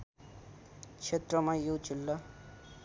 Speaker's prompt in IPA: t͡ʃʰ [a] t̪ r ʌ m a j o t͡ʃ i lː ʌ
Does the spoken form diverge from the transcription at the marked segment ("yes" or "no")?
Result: yes